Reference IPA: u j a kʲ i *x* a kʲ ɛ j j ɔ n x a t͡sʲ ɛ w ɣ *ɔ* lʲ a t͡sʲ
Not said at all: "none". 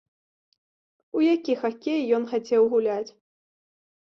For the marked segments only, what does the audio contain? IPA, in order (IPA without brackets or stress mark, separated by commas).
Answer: x, u